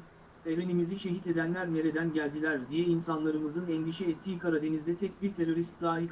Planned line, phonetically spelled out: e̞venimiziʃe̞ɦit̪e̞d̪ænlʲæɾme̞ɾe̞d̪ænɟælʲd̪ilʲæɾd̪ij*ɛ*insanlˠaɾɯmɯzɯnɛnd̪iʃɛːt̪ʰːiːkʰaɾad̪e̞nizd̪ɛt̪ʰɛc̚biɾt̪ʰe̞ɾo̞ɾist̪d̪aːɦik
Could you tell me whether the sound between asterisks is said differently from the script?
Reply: no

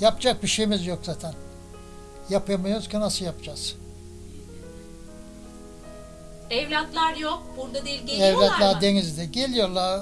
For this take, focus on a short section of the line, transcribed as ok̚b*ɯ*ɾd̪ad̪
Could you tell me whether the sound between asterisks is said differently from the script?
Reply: yes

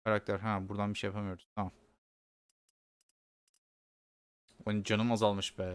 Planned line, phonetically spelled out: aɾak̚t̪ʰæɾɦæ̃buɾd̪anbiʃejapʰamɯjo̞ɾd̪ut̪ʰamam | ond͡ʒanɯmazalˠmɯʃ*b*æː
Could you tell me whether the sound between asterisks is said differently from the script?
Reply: no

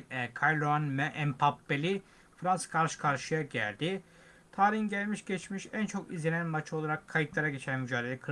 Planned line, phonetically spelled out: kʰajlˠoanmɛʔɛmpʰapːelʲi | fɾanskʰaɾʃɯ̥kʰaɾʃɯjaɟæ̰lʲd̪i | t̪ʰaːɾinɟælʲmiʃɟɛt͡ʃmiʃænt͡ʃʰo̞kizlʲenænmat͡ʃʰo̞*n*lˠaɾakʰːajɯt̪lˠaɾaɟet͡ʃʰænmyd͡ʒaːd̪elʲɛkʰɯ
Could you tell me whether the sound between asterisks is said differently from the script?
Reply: yes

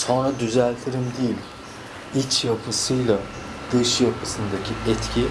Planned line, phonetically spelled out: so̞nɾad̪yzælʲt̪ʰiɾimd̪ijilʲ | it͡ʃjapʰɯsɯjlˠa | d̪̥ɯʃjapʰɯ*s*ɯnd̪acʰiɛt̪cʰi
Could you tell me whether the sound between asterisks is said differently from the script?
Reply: no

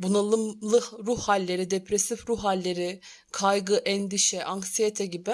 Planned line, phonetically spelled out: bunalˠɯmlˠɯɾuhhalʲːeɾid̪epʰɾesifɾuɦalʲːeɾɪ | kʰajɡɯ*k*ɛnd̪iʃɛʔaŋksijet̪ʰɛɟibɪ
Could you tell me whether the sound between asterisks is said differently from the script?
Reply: yes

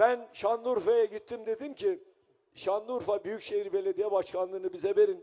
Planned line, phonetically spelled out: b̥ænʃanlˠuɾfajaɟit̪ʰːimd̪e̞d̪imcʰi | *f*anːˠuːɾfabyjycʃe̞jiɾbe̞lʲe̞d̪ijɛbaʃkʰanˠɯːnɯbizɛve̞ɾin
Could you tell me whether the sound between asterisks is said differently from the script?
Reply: yes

